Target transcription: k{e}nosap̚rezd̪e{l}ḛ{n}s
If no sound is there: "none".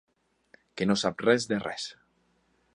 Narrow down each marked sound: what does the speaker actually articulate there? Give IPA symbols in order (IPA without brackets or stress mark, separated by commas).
e, r, none